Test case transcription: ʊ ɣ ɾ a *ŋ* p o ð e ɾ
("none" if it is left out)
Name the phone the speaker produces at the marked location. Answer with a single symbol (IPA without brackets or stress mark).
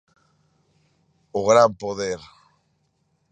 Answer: m